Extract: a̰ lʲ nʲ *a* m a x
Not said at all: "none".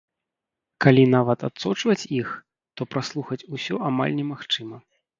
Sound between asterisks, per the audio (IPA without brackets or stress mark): ɛ